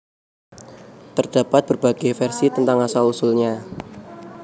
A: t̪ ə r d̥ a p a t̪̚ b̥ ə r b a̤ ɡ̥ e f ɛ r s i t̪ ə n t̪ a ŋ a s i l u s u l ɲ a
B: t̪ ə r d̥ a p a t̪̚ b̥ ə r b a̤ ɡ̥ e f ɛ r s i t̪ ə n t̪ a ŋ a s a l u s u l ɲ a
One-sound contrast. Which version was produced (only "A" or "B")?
B